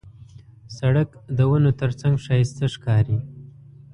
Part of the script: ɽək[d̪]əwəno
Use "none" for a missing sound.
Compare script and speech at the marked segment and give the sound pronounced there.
d̪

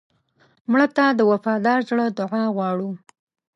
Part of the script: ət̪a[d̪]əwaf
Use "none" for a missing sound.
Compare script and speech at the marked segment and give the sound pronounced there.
d̪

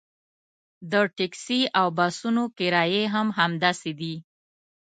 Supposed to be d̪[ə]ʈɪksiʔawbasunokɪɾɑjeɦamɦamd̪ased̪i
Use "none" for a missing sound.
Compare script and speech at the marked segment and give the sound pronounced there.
ə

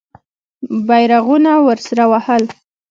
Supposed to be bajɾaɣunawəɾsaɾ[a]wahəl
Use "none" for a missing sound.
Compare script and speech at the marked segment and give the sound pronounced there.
a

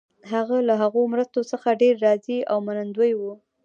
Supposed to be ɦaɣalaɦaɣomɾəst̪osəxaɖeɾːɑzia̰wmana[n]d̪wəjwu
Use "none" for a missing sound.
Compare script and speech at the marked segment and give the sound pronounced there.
n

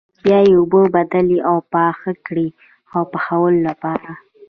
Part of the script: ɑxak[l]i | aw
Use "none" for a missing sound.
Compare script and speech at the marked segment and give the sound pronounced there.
ɽ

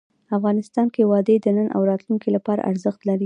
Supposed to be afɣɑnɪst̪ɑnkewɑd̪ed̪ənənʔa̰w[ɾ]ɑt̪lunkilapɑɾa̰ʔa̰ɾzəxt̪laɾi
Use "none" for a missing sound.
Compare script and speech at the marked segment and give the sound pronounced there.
ɾ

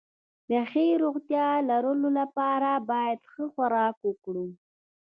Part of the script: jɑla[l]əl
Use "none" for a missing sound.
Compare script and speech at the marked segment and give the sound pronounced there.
ɾ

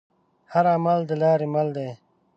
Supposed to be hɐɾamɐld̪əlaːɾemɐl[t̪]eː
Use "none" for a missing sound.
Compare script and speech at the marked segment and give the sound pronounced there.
d̪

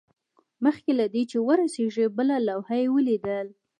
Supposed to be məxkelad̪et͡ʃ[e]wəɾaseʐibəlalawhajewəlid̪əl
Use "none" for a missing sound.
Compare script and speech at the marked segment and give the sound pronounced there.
e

